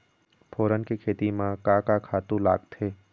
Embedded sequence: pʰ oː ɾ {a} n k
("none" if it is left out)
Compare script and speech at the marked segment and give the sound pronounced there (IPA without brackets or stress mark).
ə